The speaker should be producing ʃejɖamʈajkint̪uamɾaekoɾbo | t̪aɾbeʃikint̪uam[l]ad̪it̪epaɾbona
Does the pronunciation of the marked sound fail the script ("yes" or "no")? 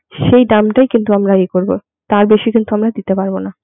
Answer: yes